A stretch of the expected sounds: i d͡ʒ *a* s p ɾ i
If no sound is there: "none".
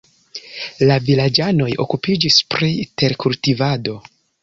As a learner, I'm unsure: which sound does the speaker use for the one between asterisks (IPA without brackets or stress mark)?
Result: i